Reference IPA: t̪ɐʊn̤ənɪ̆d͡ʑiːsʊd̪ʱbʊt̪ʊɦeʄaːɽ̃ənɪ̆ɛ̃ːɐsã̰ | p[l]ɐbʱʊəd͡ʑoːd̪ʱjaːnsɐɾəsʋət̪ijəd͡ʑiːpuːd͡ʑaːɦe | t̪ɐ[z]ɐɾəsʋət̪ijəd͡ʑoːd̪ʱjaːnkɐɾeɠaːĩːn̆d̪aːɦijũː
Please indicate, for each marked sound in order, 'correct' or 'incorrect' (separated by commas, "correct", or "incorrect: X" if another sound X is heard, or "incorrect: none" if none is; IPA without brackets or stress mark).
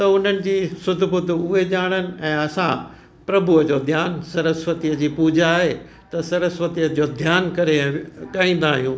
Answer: incorrect: ɾ, incorrect: s